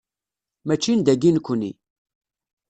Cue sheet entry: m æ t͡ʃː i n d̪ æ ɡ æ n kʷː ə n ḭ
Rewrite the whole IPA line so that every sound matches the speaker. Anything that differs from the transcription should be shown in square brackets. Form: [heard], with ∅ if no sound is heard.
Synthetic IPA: m æ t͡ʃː i n d̪ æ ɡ [i] n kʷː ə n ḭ